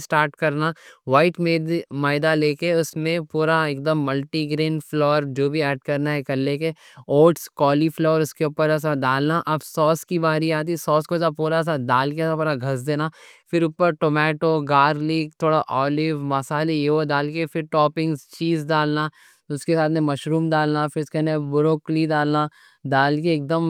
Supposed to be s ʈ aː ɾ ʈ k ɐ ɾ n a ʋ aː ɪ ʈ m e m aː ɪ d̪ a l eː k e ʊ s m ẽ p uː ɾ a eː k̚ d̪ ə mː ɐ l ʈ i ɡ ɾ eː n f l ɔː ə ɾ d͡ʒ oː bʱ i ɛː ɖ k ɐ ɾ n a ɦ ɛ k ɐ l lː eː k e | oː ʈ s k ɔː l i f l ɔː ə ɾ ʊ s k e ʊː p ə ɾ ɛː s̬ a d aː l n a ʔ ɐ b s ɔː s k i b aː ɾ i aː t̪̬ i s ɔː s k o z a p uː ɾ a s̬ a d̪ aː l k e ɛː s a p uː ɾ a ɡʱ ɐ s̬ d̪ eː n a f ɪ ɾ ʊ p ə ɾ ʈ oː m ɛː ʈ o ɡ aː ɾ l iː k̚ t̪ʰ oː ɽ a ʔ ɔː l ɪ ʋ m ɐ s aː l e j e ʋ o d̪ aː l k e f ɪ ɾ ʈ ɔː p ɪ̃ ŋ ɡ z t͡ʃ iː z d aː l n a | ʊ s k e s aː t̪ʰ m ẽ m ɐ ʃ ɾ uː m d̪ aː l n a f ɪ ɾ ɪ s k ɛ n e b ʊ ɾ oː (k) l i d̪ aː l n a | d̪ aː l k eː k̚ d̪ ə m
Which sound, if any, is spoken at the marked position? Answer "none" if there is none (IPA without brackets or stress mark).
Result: k